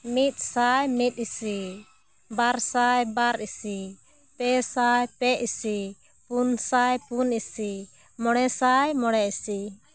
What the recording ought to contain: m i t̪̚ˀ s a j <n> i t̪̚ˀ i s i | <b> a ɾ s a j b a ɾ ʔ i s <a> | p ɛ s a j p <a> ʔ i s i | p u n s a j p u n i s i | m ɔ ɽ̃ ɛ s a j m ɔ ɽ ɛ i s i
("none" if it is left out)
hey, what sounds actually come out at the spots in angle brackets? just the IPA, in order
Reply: m, b, i, ɛ

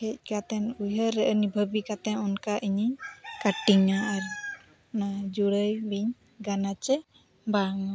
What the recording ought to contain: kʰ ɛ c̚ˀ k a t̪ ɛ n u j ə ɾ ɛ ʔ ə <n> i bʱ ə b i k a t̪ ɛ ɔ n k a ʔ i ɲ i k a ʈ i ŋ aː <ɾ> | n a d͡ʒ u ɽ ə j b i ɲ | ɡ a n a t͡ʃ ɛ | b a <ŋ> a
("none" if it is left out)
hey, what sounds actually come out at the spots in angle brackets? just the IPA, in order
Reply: n, ɾ, ŋ

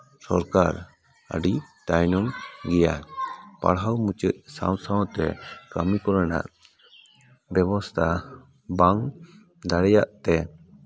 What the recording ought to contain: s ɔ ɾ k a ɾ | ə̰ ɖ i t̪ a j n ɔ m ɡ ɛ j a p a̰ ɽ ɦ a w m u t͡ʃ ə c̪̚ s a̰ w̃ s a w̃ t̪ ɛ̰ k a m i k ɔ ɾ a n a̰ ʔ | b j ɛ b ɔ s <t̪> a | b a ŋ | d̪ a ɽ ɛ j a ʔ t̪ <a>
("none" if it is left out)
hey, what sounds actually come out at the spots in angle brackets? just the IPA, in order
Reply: t̪ʰ, ɛ

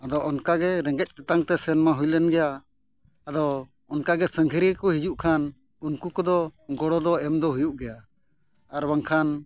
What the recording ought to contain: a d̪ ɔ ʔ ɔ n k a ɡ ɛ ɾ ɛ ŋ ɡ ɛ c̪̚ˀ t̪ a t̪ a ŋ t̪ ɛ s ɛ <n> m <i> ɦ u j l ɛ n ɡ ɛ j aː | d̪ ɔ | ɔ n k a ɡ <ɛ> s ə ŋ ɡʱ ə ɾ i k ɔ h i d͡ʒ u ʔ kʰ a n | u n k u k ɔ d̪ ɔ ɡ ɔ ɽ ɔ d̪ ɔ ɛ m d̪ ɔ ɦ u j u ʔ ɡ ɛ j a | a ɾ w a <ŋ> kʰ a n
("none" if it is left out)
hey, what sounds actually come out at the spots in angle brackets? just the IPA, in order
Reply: n, a, ɛ, ŋ

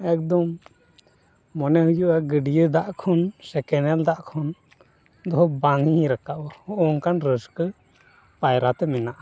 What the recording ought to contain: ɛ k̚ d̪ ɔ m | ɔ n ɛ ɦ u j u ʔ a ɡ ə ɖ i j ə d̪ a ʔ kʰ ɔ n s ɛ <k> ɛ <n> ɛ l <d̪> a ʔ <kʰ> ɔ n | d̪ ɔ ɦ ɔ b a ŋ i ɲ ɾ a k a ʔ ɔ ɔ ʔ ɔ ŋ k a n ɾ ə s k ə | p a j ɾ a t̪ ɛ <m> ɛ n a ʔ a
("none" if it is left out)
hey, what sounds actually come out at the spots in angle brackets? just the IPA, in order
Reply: k, n, d̪, kʰ, m

